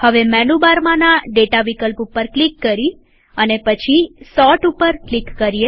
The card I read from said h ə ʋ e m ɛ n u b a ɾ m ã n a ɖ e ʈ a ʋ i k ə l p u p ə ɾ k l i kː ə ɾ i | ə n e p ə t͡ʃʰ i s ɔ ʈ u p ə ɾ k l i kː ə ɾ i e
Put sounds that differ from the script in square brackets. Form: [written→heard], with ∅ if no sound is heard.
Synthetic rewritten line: h ə ʋ e m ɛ n u b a ɾ m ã n a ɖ e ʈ a ʋ i k ə l p u p ə ɾ k l i kː ə ɾ i | ə n e p ə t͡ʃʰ i s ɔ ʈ u p ə ɾ k l i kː ə ɾ i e